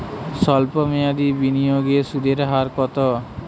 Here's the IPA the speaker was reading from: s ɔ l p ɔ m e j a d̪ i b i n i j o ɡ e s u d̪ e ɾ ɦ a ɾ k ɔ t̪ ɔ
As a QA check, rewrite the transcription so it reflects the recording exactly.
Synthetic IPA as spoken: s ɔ l p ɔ m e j a d̪ i b i n i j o ɡ e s u d̪ e ɾ ɦ a ɾ k ɔ t̪ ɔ